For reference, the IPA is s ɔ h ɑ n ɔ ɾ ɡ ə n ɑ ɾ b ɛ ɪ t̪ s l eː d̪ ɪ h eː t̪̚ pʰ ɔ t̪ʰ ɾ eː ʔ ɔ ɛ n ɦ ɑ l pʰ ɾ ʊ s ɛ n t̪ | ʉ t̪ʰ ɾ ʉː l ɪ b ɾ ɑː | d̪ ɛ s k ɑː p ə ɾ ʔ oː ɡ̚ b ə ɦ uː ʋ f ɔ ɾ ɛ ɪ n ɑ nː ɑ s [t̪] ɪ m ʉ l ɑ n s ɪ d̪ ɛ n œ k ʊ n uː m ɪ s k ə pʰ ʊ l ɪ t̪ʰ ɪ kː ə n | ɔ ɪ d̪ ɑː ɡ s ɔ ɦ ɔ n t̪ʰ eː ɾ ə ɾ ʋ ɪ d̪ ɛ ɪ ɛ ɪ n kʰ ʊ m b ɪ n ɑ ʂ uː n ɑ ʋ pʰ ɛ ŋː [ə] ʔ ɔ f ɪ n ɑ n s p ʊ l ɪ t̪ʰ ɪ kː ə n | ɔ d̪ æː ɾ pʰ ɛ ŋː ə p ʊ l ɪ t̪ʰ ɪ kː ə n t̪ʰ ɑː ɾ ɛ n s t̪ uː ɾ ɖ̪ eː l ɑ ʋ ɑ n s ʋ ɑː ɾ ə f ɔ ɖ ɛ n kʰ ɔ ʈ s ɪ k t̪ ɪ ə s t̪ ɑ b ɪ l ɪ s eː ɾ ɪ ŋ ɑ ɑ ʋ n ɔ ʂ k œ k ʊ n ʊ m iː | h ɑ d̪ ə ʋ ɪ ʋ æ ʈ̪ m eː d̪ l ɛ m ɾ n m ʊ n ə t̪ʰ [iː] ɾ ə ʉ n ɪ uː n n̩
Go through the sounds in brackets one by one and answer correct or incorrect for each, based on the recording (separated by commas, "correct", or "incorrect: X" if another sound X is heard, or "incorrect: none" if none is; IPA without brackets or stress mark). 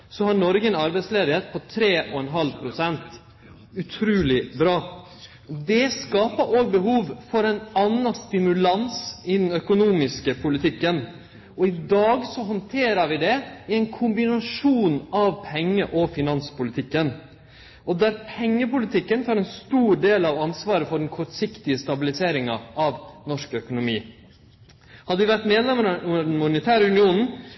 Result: correct, correct, incorrect: æː